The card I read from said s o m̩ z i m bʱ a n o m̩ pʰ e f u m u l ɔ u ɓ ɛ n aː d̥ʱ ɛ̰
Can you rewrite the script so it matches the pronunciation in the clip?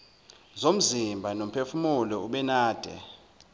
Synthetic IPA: z o m̩ z i m bʱ a n o m̩ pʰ e f u m u l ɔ u ɓ ɛ n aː d̥ʱ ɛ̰

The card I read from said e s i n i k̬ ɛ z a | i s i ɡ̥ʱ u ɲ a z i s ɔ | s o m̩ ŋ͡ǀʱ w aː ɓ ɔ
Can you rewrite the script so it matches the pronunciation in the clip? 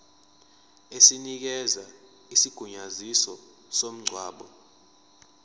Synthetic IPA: e s i n i k̬ ɛ z a | i s i ɡ̥ʱ u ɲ a z i s ɔ | s o m̩ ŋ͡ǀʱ w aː ɓ ɔ

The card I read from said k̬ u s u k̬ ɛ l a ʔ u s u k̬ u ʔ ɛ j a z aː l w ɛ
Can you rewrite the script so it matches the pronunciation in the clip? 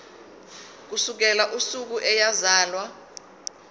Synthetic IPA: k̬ u s u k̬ ɛ l a ʔ u s u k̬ u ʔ ɛ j a z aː l w a

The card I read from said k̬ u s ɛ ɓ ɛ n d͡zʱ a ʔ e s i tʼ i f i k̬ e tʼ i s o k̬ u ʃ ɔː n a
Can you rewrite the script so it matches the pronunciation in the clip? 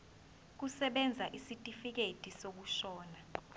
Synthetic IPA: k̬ u s ɛ ɓ ɛ n d͡zʱ a ʔ i s i tʼ i f i k̬ e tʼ i s o k̬ u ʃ ɔː n a

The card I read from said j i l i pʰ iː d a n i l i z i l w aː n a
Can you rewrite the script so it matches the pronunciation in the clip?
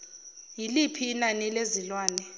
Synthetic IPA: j i l i pʰ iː n a n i l e z i l w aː n ɛ

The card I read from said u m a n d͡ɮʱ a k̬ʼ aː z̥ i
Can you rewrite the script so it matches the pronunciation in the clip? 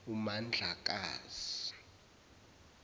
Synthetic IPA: u m a n d͡ɮʱ a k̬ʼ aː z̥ i

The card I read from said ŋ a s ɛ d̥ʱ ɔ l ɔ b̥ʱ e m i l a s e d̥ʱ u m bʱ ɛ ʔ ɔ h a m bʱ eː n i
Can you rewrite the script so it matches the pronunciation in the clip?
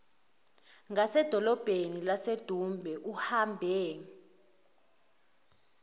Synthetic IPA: ŋ a s ɛ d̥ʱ ɔ l ɔ b̥ʱ e n i l a s e d̥ʱ u m bʱ ɛ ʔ u h a m bʱ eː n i

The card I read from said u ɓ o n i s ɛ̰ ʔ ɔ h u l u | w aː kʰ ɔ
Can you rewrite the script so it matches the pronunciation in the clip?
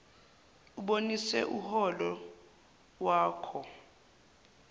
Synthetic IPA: u ɓ o n i s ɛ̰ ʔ u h ɔ l ɔ | w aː kʰ ɔ

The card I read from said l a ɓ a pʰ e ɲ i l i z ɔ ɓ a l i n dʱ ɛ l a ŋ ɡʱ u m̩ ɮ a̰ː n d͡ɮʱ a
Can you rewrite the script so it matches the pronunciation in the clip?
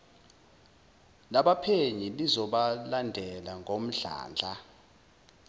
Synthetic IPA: l a ɓ a pʰ e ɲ i l i z ɔ ɓ a l a n dʱ ɛ l a ŋ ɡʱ o m̩ ɮ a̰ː n d͡ɮʱ a

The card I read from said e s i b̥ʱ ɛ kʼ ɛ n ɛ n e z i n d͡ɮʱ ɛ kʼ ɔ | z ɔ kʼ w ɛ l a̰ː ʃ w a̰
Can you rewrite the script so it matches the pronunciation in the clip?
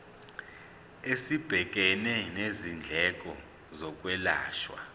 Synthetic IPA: e s i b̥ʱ ɛ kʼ ɛ n ɛ n e z i n d͡ɮʱ ɛ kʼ ɔ | z ɔ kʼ w ɛ l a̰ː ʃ w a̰

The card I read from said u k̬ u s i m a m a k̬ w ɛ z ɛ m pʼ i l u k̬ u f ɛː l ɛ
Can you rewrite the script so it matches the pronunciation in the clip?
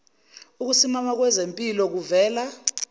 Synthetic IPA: u k̬ u s i m a m a k̬ w ɛ z e m pʼ i l ɔ k̬ u v ɛː l a

